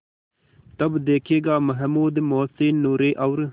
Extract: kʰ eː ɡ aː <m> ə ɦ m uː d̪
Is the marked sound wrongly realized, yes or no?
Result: no